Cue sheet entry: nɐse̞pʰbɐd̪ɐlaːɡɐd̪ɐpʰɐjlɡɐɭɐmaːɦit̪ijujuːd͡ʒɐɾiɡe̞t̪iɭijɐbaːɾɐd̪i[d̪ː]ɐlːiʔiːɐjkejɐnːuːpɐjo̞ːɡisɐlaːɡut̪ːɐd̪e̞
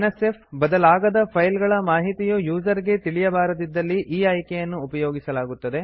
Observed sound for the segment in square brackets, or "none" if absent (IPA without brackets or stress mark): d̪ː